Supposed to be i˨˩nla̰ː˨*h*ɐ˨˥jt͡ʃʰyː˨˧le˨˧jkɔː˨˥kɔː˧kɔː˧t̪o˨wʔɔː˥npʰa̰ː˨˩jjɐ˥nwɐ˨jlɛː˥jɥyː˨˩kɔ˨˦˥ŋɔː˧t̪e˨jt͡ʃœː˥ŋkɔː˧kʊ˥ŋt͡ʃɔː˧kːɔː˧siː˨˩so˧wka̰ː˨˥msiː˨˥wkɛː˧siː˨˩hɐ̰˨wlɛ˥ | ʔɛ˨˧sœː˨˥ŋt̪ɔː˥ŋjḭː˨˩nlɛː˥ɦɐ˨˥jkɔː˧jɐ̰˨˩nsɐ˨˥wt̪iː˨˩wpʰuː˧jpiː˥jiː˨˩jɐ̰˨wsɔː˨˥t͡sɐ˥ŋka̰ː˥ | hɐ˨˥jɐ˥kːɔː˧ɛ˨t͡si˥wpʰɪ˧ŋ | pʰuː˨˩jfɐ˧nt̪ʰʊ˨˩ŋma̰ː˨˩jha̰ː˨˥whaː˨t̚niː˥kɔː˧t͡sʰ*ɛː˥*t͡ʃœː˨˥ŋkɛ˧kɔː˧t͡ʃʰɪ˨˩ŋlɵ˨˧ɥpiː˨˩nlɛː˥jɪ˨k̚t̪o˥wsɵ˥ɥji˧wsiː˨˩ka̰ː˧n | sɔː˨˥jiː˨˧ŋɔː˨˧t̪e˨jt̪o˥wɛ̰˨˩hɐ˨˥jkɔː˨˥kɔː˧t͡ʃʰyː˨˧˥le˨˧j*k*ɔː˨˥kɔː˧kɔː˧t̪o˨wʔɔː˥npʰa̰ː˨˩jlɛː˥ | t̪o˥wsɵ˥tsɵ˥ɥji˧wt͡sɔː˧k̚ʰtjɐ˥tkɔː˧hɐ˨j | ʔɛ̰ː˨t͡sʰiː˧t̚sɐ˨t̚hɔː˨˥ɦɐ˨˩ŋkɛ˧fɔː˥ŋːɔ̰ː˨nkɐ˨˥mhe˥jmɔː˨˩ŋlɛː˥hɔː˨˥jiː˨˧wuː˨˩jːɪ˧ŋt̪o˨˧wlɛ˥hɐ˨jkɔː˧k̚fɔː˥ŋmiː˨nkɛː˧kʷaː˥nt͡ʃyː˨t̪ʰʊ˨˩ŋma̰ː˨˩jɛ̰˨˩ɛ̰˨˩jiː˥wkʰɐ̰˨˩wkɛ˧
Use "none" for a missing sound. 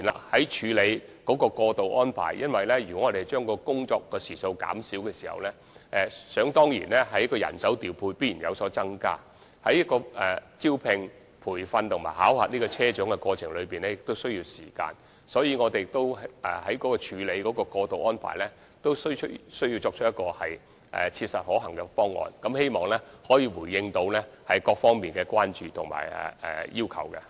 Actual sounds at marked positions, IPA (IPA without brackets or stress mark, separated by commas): h, ɛː˥, k